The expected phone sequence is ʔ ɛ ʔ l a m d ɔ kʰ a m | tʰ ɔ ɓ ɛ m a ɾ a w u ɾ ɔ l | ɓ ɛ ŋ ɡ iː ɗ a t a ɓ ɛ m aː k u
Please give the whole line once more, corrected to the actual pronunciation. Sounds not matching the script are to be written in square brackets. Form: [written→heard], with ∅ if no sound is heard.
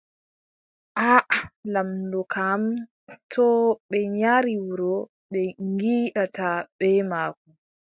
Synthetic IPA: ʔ [ɛ→a] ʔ l a m d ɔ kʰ a m | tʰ ɔ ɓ ɛ [m→ɲ] a ɾ [a→i] w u ɾ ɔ [l→∅] | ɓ ɛ ŋ ɡ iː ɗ a t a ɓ ɛ m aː k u